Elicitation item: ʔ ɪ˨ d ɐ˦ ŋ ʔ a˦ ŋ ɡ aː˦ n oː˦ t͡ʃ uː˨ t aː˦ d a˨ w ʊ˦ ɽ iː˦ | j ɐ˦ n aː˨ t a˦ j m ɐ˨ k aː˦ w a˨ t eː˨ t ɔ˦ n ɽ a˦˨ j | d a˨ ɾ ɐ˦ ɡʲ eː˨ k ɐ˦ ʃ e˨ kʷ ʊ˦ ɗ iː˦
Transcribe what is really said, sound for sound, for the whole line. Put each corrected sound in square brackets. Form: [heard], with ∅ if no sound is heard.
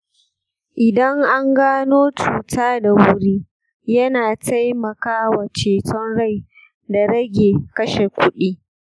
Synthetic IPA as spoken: ʔ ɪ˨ d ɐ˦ ŋ ʔ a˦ ŋ ɡ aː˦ n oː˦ t͡ʃ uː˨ t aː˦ d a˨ w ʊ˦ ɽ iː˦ | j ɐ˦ n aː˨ t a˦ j m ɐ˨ k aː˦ w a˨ [t͡ʃ] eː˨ t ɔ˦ n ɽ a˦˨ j | d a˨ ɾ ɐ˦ ɡʲ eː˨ k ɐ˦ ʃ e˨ kʷ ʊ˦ ɗ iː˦